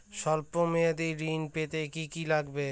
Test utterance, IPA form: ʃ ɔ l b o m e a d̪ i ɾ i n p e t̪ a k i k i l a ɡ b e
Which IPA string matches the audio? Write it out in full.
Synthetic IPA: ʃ ɔ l p o m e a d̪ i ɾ i n p e t̪ e k i k i l a ɡ b e